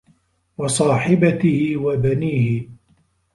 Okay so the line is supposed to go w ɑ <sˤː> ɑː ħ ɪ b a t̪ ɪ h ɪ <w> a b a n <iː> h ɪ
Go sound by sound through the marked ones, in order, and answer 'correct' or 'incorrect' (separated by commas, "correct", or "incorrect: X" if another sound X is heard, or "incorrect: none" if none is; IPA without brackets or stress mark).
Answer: incorrect: sˤ, correct, correct